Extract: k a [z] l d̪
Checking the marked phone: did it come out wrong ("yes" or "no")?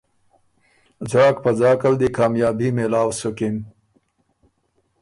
yes